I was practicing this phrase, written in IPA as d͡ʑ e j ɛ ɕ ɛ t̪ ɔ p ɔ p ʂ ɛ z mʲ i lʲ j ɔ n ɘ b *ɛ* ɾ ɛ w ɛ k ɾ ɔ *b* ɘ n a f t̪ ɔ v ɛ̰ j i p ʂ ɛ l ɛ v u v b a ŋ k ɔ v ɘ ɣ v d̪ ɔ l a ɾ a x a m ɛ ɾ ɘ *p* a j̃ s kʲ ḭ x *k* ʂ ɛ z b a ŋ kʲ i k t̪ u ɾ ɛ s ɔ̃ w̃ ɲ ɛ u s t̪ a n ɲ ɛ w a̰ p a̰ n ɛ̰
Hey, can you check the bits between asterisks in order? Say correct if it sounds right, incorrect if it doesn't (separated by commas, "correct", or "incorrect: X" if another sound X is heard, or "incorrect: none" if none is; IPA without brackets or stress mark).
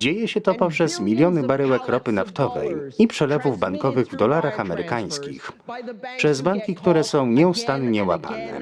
incorrect: a, incorrect: p, incorrect: k, incorrect: p